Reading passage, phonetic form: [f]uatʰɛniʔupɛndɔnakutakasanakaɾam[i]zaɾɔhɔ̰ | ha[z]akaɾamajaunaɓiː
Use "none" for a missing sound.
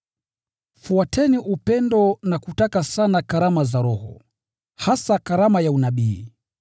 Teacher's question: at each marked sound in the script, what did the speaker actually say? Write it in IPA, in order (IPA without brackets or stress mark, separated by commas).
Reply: f, a, s